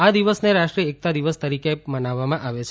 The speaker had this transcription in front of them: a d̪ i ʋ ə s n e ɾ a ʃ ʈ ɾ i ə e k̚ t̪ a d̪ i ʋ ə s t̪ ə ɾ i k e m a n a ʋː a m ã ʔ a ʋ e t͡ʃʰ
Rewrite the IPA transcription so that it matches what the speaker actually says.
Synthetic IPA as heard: a d̪ i ʋ ə s n e ɾ a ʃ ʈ ɾ i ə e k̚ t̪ a d̪ i ʋ ə s t̪ ə ɾ i k e m ə n a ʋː a m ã ʔ a ʋ e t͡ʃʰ